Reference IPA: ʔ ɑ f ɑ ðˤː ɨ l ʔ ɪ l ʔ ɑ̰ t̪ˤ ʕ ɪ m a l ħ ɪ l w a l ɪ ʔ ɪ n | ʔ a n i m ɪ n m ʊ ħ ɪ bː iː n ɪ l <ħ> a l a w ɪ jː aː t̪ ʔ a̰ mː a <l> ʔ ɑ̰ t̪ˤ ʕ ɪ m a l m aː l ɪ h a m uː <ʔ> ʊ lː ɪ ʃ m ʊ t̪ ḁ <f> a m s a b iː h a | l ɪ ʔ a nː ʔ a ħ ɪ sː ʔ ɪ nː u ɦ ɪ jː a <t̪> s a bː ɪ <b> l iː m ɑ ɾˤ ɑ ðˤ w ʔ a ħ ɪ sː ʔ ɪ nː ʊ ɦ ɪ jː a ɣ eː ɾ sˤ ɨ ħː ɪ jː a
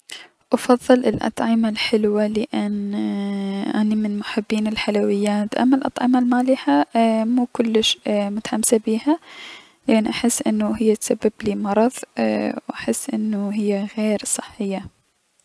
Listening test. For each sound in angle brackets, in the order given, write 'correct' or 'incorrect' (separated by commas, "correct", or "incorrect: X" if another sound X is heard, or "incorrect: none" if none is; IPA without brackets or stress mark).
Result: correct, correct, incorrect: k, incorrect: ħ, correct, correct